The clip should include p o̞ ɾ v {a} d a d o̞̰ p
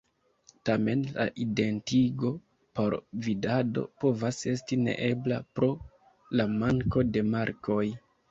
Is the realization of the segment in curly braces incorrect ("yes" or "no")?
yes